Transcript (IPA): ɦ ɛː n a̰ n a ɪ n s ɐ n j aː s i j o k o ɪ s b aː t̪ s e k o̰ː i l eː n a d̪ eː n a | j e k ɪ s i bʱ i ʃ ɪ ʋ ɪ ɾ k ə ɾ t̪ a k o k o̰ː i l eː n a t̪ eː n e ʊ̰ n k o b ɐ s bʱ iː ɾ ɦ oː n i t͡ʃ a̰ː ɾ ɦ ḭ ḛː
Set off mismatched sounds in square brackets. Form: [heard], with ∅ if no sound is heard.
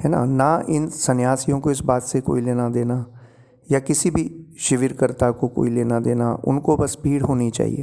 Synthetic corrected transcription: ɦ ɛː n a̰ n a ɪ n s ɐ n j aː s i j [õ] k o ɪ s b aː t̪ s e k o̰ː i l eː n a d̪ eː n a | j [a] k ɪ s i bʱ i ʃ ɪ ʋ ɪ ɾ k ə ɾ t̪ a k o k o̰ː i l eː n a [d̪] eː n [a] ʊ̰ n k o b ɐ s bʱ iː [ɽ] ɦ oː n i t͡ʃ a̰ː [∅] ɦ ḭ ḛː